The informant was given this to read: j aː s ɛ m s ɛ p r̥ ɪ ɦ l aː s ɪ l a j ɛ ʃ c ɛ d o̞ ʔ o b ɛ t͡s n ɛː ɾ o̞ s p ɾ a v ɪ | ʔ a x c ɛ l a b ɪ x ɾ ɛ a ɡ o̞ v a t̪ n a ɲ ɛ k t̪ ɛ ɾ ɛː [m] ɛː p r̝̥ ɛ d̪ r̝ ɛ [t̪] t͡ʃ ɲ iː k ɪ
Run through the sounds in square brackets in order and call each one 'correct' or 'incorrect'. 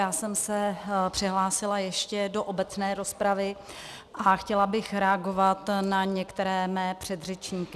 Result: correct, incorrect: none

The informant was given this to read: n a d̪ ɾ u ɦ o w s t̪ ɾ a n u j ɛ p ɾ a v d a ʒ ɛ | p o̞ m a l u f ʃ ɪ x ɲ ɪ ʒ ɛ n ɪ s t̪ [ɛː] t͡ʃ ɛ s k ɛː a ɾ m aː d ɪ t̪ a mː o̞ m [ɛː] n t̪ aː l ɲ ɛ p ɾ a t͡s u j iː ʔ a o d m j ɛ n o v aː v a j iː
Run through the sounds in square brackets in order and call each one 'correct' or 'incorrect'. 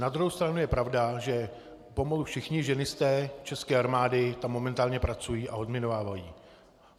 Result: correct, incorrect: ɛ

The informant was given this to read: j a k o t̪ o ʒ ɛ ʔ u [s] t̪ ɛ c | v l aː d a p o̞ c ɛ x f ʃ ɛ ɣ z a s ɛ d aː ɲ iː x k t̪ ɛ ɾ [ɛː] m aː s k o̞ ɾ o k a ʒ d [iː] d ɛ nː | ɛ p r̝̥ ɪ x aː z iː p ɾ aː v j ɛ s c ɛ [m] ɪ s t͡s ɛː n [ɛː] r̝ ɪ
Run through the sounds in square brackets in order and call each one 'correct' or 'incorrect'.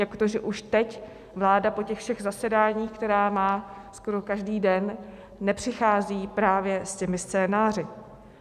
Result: incorrect: ʃ, incorrect: aː, correct, correct, incorrect: aː

